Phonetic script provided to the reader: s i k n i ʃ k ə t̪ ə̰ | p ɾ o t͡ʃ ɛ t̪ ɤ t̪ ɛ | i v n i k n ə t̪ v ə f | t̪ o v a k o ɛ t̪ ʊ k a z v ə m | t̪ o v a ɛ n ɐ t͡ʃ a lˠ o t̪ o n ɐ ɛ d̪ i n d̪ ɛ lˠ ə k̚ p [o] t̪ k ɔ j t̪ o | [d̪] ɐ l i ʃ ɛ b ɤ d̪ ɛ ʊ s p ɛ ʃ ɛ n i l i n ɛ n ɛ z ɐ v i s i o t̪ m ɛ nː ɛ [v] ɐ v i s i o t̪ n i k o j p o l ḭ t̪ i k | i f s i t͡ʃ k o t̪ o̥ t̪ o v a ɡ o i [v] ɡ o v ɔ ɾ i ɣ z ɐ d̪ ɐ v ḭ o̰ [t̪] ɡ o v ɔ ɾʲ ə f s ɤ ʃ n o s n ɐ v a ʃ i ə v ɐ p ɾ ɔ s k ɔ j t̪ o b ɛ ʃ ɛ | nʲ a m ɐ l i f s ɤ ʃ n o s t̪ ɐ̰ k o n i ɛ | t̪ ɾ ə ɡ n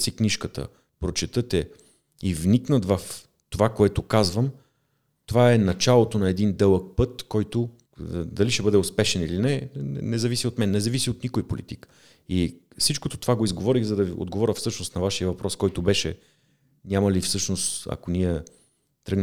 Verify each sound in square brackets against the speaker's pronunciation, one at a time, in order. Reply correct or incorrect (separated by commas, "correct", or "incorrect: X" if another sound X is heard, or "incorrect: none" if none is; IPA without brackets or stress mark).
incorrect: ɤ, correct, incorrect: z, incorrect: z, incorrect: d̪